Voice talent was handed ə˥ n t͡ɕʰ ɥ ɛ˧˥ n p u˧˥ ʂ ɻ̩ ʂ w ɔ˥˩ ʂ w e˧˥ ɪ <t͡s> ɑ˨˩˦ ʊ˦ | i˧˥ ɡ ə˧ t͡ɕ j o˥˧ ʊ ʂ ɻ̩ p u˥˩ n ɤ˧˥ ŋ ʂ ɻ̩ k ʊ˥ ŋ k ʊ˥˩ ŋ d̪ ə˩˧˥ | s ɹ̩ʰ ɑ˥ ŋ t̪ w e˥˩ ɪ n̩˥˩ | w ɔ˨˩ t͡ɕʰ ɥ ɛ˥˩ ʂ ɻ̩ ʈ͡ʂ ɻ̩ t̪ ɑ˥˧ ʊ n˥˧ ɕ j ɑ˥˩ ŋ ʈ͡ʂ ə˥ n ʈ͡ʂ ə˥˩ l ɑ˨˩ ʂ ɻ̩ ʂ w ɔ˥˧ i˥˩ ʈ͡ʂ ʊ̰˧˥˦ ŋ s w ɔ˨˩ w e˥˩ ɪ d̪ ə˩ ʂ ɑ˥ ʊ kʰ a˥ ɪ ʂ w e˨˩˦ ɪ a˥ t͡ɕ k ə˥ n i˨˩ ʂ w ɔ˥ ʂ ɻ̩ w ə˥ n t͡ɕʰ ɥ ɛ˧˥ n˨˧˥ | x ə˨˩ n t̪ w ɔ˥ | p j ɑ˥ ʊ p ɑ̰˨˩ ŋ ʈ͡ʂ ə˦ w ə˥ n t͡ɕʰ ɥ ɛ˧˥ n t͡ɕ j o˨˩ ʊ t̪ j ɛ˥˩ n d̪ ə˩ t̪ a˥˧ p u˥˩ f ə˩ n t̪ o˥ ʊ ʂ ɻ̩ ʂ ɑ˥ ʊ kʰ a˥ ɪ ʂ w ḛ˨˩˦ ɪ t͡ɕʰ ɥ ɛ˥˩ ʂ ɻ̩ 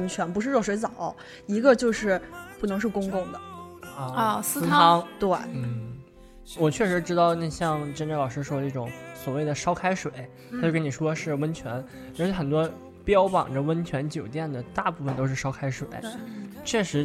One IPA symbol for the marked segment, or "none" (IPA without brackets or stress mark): t͡s